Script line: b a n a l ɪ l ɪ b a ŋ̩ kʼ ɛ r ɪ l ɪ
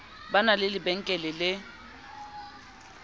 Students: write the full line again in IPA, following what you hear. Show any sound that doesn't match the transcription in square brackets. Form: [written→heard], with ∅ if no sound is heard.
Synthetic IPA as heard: b a n a l ɪ l ɪ b [a→ɛ] ŋ̩ kʼ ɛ [r→l] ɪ l ɪ